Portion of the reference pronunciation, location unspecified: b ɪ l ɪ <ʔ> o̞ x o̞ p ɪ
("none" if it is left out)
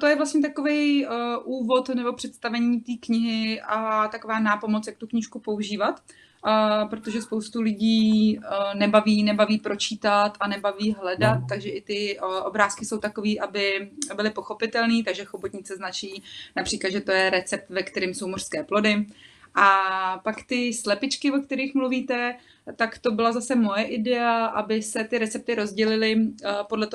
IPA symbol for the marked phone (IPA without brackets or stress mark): p